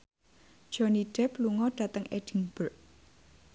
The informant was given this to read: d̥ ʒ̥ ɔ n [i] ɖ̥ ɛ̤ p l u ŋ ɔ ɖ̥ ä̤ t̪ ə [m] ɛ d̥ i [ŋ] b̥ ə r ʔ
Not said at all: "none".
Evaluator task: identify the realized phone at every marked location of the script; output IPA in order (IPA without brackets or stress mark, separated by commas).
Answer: i, ŋ, ŋ